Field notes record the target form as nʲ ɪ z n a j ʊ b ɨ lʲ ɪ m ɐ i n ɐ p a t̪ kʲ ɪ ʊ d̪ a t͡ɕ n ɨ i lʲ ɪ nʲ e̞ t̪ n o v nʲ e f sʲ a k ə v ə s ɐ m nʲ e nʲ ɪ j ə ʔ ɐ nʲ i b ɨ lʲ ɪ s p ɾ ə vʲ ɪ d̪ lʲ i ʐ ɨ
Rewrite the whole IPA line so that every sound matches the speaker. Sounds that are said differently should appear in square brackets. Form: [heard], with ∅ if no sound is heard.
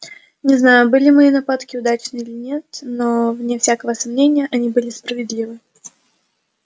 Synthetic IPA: nʲ ɪ z n a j ʊ b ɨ lʲ ɪ m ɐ i n ɐ p a t̪ kʲ ɪ ʊ d̪ a t͡ɕ n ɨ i lʲ ɪ nʲ e̞ t̪ n o v nʲ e f sʲ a k ə v ə s ɐ m nʲ e nʲ ɪ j ə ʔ ɐ nʲ i b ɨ lʲ ɪ s p ɾ ə vʲ ɪ d̪ lʲ i [v] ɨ